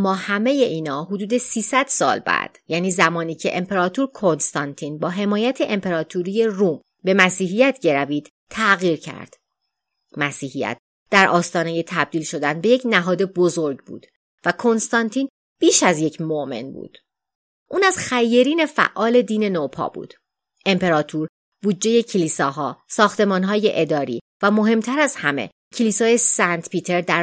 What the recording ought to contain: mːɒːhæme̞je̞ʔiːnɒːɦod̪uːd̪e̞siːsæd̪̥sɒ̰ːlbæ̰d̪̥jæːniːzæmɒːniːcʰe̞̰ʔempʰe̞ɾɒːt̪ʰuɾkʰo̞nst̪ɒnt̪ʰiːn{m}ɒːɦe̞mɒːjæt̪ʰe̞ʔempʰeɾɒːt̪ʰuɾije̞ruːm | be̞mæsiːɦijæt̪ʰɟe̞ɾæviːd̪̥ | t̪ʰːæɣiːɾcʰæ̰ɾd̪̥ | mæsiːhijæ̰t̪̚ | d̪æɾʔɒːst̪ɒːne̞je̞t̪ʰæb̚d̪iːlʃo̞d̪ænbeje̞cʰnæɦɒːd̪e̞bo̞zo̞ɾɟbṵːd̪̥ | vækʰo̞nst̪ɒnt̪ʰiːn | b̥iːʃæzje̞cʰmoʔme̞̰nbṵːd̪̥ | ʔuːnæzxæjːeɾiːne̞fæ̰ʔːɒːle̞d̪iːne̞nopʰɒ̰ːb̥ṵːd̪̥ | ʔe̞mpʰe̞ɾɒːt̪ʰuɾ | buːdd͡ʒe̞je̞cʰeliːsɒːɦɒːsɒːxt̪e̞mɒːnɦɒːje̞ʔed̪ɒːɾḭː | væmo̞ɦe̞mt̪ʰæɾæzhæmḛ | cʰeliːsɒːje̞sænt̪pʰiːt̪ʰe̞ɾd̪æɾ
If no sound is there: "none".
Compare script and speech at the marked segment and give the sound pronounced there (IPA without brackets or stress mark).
b